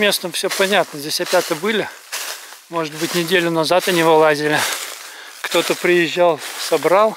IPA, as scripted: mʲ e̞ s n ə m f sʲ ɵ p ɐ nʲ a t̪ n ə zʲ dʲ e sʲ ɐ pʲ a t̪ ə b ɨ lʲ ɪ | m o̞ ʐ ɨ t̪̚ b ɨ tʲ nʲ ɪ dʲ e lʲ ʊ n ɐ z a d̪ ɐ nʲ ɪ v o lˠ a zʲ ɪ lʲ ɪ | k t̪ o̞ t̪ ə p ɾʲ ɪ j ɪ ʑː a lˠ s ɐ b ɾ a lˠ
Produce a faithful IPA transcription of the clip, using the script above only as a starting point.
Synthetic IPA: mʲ e̞ s n ə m f sʲ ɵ p ɐ nʲ a t̪ n ə zʲ dʲ e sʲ ɐ pʲ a t̪ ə b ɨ lʲ ɪ | m o̞ ʐ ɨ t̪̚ b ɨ tʲ nʲ ɪ dʲ e lʲ ʊ n ɐ z a t̪ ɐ nʲ ɪ v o lˠ a zʲ ɪ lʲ ɪ | k t̪ o̞ t̪ ə p ɾʲ ɪ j ɪ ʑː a lˠ s ɐ b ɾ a lˠ